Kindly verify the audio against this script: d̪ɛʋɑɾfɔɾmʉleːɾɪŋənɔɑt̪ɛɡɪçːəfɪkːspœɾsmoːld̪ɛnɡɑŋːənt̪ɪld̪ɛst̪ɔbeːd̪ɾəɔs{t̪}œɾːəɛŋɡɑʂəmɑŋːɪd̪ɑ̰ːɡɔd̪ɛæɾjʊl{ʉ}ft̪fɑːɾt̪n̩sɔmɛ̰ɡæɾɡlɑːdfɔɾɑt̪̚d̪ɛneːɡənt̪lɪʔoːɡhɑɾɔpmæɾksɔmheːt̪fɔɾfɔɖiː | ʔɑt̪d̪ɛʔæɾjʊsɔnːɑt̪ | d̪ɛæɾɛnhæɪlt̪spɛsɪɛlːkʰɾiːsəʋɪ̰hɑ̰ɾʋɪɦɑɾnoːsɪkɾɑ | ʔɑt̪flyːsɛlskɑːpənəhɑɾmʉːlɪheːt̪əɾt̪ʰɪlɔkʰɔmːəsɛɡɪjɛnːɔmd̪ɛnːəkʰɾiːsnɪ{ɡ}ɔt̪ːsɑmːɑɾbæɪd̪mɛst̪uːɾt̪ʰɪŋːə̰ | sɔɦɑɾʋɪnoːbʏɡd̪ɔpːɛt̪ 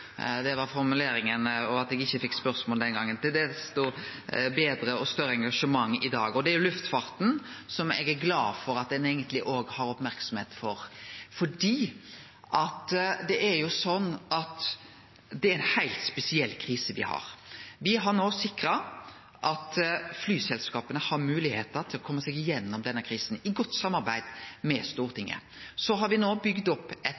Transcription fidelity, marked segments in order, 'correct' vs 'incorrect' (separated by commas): correct, correct, correct